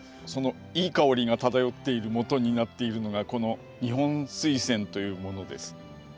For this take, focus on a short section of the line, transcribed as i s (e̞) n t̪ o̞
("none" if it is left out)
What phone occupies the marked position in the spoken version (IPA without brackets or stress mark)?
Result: ẽ̞